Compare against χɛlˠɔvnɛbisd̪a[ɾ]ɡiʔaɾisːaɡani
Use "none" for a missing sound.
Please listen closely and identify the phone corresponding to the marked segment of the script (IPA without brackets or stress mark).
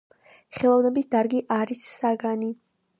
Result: ɾ